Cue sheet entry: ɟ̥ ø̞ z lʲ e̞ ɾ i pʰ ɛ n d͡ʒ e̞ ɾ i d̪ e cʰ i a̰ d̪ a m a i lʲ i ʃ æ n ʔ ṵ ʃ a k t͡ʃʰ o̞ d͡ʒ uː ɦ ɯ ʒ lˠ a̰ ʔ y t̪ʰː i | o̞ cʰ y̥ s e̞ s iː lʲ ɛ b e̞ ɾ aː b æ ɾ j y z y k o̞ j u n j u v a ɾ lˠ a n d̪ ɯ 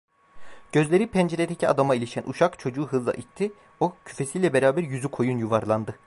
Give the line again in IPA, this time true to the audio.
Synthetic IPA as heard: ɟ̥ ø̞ z lʲ e̞ ɾ i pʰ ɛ n d͡ʒ e̞ ɾ e d̪ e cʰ i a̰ d̪ a m a i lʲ i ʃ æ n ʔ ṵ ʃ a k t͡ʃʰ o̞ d͡ʒ uː ɦ ɯ z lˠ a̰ ʔ i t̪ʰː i | o̞ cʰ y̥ f e̞ s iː lʲ ɛ b e̞ ɾ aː b æ ɾ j y z y kʰ o̞ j u n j u v a ɾ lˠ a n d̪ ɯ